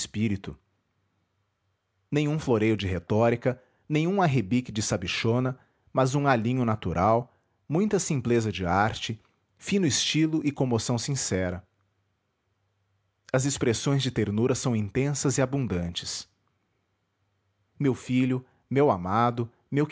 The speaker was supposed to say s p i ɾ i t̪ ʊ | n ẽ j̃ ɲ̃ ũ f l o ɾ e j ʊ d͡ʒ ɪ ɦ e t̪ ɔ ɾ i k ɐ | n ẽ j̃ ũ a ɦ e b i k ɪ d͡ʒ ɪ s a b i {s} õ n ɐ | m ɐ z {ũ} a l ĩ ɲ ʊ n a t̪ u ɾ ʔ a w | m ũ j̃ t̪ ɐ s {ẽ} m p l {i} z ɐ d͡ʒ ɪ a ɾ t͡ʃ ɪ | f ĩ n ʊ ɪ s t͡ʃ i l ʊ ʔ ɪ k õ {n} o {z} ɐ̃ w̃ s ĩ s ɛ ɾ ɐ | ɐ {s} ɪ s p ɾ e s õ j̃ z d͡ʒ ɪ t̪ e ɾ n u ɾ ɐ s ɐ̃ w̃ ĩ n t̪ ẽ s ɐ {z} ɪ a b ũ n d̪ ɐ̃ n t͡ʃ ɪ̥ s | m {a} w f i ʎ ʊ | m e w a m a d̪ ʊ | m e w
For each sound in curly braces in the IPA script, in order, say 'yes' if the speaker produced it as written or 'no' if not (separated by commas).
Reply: no, yes, no, no, no, no, no, yes, no